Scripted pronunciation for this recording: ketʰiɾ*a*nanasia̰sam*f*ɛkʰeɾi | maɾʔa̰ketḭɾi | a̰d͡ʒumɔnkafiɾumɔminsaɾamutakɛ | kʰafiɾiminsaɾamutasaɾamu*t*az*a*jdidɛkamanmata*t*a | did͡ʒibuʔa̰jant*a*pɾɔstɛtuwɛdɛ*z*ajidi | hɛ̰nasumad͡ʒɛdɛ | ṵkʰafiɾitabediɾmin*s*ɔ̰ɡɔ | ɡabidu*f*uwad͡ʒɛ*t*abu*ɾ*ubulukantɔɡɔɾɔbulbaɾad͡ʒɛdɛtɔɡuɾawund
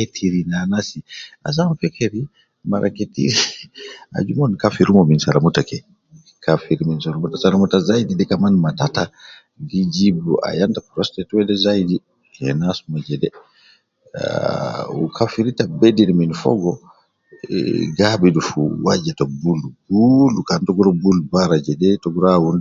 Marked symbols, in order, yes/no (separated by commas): no, yes, yes, yes, yes, yes, yes, no, yes, yes, no